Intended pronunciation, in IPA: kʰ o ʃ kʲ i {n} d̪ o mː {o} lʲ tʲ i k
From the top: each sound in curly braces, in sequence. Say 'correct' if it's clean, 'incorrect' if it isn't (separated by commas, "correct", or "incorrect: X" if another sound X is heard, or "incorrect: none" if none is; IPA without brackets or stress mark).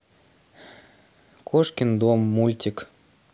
correct, incorrect: u